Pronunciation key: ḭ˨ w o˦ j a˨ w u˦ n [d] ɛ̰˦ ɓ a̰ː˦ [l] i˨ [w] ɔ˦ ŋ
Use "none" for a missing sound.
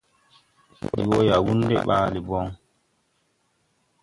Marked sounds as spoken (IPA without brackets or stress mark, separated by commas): d, l, b